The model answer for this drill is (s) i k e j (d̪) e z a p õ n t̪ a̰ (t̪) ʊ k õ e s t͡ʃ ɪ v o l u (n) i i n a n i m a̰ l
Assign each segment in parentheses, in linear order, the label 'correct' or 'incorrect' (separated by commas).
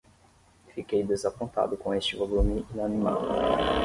incorrect, correct, incorrect, incorrect